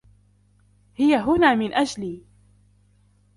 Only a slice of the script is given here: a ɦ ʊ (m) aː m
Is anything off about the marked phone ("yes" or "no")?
yes